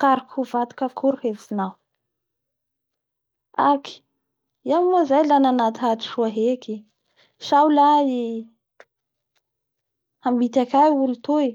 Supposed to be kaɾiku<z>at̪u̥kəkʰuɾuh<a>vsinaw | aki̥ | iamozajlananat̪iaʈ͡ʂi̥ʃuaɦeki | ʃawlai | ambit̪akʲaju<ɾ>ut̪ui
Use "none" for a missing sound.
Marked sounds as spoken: v, e, l

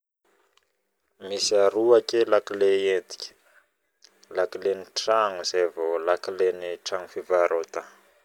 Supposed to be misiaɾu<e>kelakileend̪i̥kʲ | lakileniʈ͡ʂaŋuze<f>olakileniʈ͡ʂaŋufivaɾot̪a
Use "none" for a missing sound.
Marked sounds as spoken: a, v

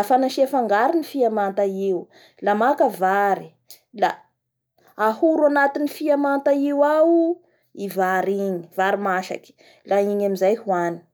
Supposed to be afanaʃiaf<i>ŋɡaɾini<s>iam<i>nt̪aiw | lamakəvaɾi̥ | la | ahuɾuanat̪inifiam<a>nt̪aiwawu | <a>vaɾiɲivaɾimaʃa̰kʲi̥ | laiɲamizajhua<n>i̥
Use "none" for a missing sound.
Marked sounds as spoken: a, f, a, a, i, n

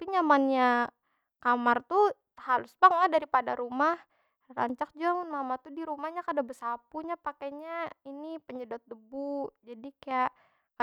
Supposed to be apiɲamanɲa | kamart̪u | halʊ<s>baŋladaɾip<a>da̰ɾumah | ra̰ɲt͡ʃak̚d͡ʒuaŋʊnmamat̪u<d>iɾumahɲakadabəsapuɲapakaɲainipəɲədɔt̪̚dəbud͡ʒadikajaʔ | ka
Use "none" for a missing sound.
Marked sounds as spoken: s, a, d

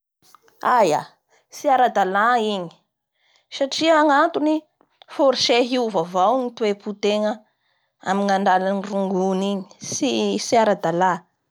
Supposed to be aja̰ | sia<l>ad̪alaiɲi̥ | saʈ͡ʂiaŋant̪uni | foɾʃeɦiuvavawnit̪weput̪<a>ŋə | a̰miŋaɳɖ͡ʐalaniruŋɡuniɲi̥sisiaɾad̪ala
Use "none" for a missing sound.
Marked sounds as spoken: ɾ, e

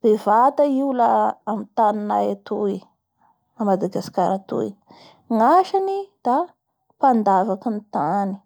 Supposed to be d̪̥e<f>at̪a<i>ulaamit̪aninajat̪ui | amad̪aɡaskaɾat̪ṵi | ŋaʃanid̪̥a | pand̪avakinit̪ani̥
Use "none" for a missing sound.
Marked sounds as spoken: v, i

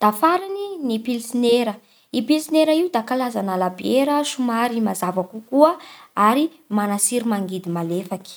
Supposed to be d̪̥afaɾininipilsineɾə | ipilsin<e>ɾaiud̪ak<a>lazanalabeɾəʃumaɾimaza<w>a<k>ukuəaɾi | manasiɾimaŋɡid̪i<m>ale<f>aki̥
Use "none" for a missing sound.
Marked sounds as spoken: e, a, v, k, m, f

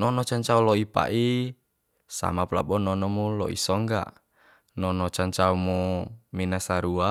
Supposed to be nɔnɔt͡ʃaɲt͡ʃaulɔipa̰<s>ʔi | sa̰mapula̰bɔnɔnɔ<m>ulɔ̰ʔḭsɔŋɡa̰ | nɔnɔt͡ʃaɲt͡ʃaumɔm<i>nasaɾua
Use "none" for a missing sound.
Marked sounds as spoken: none, m, i

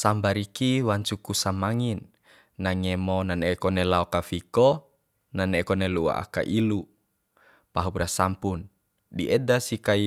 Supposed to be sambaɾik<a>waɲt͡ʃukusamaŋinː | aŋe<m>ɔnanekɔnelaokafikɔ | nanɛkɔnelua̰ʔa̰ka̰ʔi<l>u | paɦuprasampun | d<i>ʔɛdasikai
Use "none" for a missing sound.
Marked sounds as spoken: i, m, l, i

